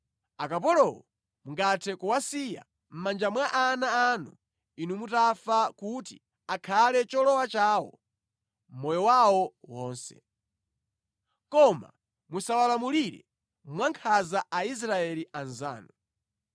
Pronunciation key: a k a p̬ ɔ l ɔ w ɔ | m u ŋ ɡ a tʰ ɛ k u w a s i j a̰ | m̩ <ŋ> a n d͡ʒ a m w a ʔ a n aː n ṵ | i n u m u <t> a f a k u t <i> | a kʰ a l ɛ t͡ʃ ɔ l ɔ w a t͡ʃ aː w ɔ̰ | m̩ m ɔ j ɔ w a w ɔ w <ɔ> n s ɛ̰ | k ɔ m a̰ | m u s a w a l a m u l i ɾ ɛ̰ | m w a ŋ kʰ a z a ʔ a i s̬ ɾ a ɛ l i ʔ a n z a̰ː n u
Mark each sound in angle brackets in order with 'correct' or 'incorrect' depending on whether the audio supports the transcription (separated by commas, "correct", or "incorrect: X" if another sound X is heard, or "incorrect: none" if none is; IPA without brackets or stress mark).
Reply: incorrect: m, correct, correct, incorrect: ɔː